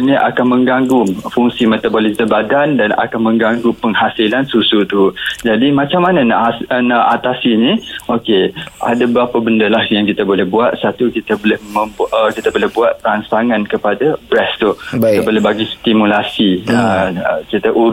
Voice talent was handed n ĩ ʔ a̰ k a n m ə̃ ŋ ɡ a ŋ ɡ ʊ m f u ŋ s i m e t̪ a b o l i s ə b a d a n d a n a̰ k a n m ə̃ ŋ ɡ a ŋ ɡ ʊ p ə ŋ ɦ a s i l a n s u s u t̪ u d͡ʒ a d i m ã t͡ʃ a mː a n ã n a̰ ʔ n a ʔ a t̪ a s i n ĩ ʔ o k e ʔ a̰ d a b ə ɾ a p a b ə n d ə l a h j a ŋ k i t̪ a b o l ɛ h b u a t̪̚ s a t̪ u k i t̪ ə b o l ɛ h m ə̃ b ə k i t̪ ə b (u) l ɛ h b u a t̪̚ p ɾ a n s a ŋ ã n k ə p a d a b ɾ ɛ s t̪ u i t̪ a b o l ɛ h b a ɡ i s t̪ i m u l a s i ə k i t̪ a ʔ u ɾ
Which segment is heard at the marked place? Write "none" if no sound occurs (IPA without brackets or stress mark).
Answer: o